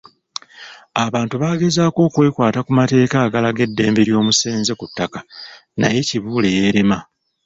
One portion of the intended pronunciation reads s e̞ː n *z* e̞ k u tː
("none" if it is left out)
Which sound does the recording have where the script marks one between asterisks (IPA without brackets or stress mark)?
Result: z